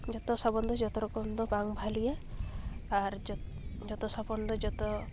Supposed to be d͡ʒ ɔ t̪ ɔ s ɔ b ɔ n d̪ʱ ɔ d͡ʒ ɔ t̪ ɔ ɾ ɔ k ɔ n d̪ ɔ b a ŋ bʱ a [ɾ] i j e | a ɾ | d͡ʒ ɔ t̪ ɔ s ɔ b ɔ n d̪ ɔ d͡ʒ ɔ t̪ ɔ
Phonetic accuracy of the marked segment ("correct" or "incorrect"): incorrect